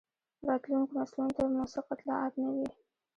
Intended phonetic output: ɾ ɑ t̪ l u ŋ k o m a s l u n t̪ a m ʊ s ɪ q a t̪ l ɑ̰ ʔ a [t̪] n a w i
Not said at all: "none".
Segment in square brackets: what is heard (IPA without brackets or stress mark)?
t̪